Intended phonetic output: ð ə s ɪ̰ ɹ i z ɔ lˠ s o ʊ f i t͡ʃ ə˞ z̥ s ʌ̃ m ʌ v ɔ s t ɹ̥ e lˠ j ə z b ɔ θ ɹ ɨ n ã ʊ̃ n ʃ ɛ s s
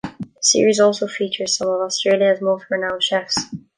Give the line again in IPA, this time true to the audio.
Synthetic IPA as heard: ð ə s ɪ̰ ɹ i z ɔ lˠ s o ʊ f i t͡ʃ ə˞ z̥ s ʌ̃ m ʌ v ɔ s t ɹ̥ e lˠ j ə z m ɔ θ ɹ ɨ n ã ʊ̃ n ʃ ɛ f s